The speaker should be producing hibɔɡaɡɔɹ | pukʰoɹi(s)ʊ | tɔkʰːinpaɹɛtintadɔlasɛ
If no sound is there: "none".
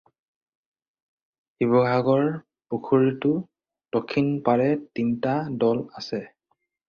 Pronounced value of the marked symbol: t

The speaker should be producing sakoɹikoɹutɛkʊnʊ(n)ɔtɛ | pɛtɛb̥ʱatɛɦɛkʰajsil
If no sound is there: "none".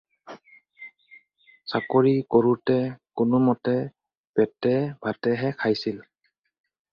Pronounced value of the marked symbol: m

